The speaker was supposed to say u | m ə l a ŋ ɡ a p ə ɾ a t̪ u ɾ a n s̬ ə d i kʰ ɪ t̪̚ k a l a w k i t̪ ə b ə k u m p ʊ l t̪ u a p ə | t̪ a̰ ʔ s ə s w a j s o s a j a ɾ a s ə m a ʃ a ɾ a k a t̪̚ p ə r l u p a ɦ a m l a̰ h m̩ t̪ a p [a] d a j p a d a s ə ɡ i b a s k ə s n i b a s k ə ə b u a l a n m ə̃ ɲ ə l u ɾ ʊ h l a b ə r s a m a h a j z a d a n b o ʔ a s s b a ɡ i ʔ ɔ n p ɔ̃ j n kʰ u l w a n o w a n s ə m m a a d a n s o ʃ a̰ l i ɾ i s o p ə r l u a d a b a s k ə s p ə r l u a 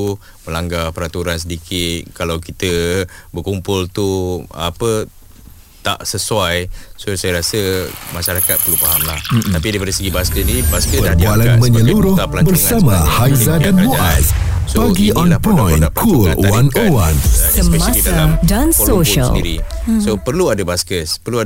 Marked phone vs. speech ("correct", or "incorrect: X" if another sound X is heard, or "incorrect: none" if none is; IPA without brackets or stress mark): incorrect: i